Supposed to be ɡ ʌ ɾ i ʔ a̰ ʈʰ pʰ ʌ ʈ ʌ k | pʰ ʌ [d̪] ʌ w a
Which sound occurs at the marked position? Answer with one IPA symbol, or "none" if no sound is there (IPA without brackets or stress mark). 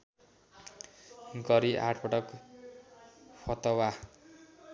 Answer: t̪